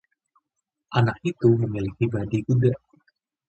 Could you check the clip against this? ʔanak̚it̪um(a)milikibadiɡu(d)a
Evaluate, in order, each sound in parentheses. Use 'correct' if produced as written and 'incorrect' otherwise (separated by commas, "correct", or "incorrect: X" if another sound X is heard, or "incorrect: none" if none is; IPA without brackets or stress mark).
incorrect: ə, correct